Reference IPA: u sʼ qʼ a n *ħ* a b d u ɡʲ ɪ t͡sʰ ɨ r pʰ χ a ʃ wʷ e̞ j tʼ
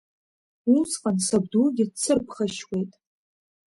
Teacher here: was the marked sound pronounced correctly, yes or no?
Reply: no